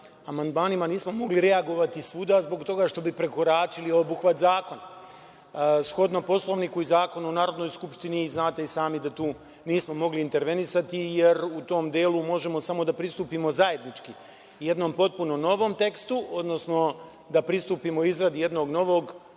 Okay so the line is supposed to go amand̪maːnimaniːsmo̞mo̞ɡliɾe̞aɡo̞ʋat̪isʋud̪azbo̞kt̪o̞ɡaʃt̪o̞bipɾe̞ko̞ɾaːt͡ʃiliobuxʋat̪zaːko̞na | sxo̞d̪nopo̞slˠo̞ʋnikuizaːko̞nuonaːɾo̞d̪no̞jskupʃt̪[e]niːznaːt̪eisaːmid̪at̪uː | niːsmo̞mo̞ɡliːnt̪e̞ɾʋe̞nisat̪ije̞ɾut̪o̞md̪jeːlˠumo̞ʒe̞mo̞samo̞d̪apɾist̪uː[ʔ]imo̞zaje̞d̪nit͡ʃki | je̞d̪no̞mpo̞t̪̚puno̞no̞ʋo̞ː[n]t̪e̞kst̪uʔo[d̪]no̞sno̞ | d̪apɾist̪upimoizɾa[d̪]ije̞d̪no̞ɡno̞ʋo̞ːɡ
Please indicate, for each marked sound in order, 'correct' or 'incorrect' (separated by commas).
incorrect, incorrect, incorrect, correct, correct